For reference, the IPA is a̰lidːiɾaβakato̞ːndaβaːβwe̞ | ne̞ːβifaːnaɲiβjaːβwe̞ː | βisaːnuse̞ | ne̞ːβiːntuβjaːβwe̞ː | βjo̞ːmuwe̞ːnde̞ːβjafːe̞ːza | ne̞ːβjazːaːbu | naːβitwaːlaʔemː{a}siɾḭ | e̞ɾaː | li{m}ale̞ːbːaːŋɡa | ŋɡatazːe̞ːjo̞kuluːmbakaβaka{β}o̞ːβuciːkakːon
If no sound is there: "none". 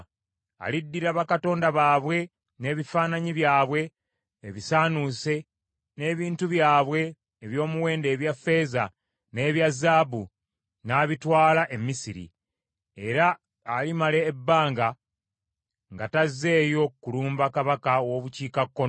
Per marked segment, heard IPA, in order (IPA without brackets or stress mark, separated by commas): i, m, w